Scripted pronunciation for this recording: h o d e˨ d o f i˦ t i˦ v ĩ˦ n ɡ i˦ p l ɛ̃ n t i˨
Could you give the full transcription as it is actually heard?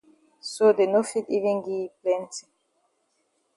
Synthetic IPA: s o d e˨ n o f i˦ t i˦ v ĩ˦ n ɡ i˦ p l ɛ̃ n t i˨